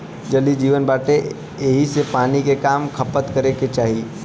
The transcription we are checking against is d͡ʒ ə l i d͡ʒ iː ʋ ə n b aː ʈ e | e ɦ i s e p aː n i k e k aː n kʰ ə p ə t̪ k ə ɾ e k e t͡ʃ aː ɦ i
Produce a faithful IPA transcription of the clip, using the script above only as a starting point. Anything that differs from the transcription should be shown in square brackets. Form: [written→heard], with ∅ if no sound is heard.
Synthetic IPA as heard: d͡ʒ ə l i d͡ʒ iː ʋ ə n b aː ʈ e | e ɦ i s e p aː n i k e k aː [n→m] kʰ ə p ə t̪ k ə ɾ e k e t͡ʃ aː ɦ i